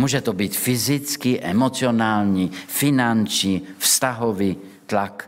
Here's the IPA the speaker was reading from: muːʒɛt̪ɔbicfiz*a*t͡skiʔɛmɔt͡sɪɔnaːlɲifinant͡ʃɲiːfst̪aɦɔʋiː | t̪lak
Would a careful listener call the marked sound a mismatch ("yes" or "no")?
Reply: yes